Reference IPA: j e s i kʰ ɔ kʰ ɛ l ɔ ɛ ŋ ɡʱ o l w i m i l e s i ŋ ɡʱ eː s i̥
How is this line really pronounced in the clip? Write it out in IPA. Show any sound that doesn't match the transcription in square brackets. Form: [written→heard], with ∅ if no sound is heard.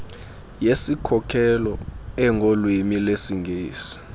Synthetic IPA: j e s i kʰ ɔ kʰ ɛ l ɔ ɛ ŋ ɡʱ o l w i m i l e s i ŋ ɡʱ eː s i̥